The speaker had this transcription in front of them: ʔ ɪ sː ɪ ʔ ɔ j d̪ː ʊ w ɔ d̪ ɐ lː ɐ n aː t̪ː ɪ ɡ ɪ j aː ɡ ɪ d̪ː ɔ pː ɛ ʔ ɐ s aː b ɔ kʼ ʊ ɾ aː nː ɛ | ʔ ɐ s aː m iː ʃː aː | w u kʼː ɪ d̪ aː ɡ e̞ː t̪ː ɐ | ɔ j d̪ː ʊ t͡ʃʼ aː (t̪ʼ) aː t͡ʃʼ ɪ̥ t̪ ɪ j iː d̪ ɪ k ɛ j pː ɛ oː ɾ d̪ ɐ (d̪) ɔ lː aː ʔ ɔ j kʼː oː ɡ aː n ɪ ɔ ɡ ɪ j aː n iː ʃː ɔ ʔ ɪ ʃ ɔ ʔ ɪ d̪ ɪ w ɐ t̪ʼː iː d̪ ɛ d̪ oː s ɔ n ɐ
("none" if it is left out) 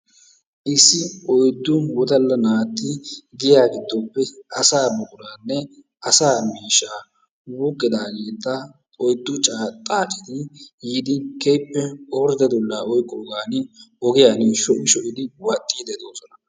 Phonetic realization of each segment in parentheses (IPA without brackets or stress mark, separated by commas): t̪ʼ, d̪